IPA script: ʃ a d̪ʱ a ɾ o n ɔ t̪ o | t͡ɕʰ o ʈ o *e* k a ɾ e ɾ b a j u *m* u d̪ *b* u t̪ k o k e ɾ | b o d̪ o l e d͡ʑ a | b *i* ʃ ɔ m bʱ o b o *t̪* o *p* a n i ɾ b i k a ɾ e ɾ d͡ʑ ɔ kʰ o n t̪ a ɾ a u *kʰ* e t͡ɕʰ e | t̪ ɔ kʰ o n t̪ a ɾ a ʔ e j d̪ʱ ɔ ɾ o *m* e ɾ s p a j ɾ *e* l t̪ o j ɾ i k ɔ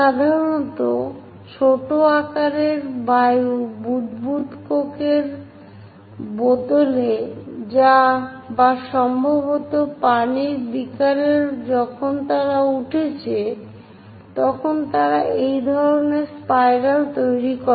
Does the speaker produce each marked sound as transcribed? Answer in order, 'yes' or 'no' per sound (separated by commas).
no, no, yes, no, yes, yes, no, no, no